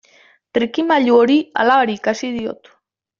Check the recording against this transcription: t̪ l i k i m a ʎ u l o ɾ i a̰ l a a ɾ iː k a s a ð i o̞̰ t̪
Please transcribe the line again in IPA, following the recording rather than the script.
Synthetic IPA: t̪ ɾ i k i m a ʎ u o ɾ i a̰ l a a ɾ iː k a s i ð i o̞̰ t̪

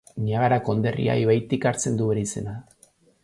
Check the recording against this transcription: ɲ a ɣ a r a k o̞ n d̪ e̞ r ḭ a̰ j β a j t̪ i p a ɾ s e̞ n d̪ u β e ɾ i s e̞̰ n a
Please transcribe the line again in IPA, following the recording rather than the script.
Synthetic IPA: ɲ a ɣ a ɾ a k o̞ n d̪ e̞ r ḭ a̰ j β a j t̪ i k a ɾ t͡s e̞ n d̪ u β e ɾ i s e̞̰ n a

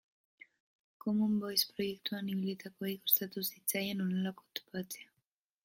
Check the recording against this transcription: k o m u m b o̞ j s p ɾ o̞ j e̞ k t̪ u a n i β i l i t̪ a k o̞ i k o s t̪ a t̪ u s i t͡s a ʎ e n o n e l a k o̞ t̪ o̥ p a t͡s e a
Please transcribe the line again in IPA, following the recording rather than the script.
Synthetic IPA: k o m u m b o̞ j s p ɾ o̞ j e̞ k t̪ u a n i β i l i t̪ a k o̞ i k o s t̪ a t̪ u s i t͡s a j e n o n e l a k o̞ t̪ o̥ p a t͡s e a

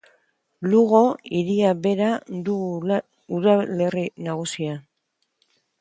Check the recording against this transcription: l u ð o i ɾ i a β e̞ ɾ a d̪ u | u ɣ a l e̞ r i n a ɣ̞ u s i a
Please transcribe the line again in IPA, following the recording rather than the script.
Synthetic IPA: l u ɣ o i ɾ i a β e̞ ɾ a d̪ u | u ð a l e̞ r i n a ɣ̞ u s i a

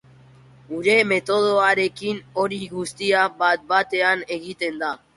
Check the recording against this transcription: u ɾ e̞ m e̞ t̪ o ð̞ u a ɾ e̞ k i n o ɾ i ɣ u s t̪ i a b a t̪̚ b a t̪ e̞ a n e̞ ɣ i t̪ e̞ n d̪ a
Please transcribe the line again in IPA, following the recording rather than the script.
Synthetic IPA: u ɾ e̞ m e̞ t̪ o ð̞ o a ɾ e̞ k i n o ɾ i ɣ u s t̪ i a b a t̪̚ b a t̪ e̞ a n e̞ ɣ i t̪ e̞ n d̪ a

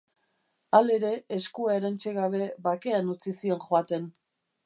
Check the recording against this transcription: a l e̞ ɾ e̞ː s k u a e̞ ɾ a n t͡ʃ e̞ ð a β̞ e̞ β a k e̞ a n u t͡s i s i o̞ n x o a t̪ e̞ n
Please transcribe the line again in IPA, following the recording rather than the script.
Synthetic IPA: a l e̞ ɾ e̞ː s k u a e̞ ɾ a n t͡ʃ e̞ ɣ a β̞ e̞ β a k e̞ a n u t͡s i s i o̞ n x o a t̪ e̞ n

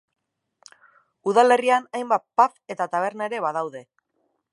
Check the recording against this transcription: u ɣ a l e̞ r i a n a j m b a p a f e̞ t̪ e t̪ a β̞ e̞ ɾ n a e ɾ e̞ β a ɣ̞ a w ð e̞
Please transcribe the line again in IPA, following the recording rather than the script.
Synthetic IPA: u ð a l e̞ r i a n a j m b a p a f e̞ t̪ a t̪ a β̞ e̞ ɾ n a e ɾ e̞ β a ð̞ a w ð e̞

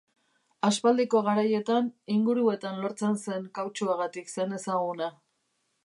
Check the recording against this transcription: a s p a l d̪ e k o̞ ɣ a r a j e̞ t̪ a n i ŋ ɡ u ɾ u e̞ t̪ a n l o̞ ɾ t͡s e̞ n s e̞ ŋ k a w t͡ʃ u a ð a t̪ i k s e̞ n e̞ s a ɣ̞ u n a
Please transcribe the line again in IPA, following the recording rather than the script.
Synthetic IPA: a s p a l d̪ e k o̞ ɣ a ɾ a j e̞ t̪ a n i ŋ ɡ u ɾ u e̞ t̪ a n l o̞ ɾ t͡s e̞ n s e̞ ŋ k a w t͡ʃ u a ɣ a t̪ i k s e̞ n e̞ s a ɣ̞ u n a

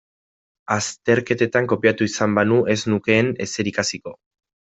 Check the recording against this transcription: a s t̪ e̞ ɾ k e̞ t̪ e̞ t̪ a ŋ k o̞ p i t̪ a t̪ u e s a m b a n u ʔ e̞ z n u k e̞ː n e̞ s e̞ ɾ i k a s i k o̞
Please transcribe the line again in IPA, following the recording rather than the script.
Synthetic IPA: a s t̪ e̞ ɾ k e̞ t̪ e̞ t̪ a ŋ k o̞ p i a t̪ u i s a m b a n u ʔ e̞ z n u k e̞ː n e̞ s e̞ ɾ i k a s i k o̞

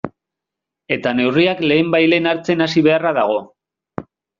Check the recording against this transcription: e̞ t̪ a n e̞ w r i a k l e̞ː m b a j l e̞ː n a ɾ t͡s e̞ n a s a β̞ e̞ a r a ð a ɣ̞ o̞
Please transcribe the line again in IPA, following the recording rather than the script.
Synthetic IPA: e̞ t̪ a n e̞ w r i a k l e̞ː m b a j l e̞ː n a ɾ t͡s e̞ n a s i β̞ e̞ a r a ð a ɣ̞ o̞

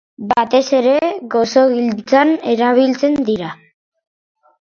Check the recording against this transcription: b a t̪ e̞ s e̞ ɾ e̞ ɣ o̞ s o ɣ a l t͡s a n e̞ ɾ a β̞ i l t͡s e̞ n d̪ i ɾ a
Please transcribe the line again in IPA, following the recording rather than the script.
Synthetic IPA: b a t̪ e̞ s e̞ ɾ e̞ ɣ o̞ s o ɣ i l t͡s a n e̞ ɾ a β̞ i l t͡s e̞ n d̪ i ɾ a

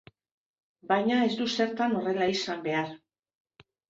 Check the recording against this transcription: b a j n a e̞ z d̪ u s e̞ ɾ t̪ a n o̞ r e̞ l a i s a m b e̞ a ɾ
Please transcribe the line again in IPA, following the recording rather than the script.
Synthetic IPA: b a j ɲ a e̞ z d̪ u s e̞ ɾ t̪ a n o̞ r e̞ l a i s a m b e̞ a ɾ

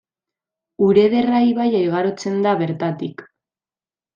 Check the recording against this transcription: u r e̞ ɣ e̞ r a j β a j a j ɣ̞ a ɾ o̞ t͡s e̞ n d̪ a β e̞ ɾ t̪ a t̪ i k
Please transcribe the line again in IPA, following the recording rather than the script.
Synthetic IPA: u ɾ e̞ ð e̞ r a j β a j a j ɣ̞ a ɾ o̞ t͡s e̞ n d̪ a β e̞ ɾ t̪ a t̪ i k

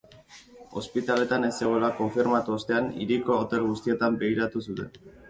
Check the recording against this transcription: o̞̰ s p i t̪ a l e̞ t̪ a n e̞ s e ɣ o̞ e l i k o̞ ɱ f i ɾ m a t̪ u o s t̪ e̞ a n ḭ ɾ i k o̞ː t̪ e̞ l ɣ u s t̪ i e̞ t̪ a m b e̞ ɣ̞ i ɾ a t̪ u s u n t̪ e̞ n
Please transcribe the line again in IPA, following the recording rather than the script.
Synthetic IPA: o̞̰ s p i t̪ a l e̞ t̪ a n e̞ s e ɣ o̞ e l a k o̞ ɱ f i ɾ m a t̪ u o s t̪ e̞ a n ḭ ɾ i k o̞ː t̪ e̞ l ɣ u s t̪ i e̞ t̪ a m b e̞ ɣ̞ i ɾ a t̪ u s u t̪ e̞ n

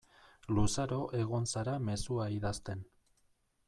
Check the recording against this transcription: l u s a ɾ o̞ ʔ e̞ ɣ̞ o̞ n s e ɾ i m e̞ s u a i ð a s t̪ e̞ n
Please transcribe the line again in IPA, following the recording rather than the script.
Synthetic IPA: l u s a ɾ o̞ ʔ e̞ ɣ̞ o̞ n s a ɾ a m e̞ s u a i ð a s t̪ e̞ n

